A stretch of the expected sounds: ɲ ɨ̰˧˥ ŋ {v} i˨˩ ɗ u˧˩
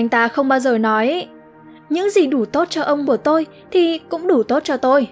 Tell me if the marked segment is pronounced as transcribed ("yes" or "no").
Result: no